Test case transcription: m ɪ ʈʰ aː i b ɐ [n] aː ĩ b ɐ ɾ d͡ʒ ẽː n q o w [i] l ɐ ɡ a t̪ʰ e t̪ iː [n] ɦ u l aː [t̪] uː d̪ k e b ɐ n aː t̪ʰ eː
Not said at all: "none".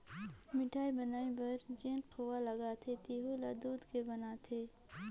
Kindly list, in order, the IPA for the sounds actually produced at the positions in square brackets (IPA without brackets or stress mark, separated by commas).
n, a, none, d̪